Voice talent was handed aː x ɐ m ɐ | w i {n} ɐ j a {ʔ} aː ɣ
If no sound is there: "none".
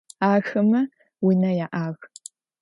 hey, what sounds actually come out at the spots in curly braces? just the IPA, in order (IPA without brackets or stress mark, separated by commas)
n, ʔ